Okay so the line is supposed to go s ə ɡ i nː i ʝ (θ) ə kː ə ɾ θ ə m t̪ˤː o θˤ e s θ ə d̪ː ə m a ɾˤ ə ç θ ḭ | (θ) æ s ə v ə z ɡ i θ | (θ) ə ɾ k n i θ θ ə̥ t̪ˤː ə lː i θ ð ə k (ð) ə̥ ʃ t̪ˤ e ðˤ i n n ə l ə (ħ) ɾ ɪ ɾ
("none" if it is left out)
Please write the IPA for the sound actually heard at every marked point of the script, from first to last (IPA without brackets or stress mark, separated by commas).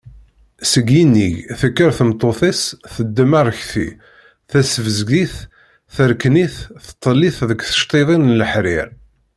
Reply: θ, θ, θ, θ, ħ